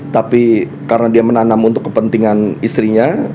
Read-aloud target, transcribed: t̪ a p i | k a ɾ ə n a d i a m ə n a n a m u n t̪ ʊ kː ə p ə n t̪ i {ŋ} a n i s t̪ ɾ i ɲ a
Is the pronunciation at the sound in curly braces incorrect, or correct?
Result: correct